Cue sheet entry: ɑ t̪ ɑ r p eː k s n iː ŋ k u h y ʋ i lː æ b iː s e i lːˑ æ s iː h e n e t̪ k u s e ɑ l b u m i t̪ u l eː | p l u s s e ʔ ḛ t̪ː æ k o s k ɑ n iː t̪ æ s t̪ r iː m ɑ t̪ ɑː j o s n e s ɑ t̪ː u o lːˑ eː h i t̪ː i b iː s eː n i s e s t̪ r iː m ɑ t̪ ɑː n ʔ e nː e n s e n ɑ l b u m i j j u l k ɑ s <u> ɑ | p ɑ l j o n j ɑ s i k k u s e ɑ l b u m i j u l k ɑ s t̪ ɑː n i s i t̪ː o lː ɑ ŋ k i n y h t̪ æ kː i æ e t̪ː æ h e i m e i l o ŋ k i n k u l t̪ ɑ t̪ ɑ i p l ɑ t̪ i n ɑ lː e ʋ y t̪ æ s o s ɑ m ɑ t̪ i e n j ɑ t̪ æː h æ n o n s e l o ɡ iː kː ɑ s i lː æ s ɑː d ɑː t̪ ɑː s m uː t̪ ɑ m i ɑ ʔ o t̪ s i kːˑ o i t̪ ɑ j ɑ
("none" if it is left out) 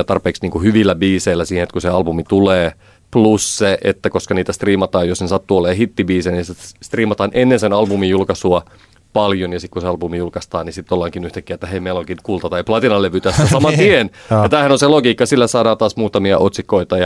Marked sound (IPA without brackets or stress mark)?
u